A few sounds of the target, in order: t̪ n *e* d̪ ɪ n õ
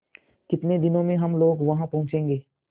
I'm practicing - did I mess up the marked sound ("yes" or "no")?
no